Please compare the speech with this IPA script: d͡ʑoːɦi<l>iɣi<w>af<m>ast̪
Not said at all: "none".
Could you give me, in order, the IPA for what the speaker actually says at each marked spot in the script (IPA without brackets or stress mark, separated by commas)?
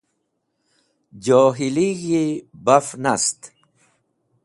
l, b, n